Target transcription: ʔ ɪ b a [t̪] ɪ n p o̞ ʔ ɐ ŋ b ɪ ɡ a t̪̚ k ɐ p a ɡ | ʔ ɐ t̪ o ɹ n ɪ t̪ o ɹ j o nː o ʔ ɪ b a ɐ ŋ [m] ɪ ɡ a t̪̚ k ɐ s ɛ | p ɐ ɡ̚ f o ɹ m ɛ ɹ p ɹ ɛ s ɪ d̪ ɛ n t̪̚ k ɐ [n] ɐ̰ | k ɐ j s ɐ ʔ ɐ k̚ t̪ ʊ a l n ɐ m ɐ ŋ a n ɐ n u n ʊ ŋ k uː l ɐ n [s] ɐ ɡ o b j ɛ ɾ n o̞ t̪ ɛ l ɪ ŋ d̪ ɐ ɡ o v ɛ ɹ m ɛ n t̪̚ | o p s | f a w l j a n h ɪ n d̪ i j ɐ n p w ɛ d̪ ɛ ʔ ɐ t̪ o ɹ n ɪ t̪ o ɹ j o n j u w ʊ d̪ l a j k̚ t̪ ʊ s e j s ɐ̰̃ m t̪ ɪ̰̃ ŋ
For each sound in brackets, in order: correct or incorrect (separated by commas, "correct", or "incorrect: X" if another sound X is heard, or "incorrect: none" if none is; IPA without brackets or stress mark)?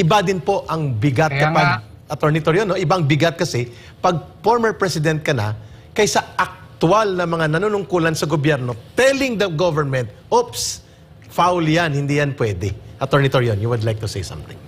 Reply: incorrect: d̪, incorrect: b, correct, correct